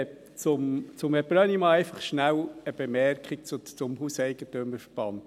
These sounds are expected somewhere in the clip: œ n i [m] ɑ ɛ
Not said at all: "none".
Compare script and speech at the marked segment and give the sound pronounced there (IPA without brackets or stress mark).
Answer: m